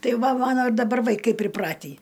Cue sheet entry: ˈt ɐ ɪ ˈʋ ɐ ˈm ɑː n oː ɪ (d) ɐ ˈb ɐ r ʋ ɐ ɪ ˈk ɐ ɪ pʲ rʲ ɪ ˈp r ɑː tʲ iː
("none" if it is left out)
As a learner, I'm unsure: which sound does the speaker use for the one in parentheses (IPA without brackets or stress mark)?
d